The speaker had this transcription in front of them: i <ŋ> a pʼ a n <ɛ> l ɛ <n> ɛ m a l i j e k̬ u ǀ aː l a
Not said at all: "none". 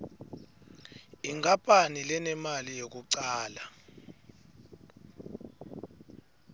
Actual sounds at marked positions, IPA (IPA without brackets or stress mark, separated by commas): ŋ, i, n